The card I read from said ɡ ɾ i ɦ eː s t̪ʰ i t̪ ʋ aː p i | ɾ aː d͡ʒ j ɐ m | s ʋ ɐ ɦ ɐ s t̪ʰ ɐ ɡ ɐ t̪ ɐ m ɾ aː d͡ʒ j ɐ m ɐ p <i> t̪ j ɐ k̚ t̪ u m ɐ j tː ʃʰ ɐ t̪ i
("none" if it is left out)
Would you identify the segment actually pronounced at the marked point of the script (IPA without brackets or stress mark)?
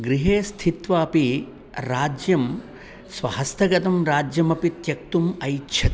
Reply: i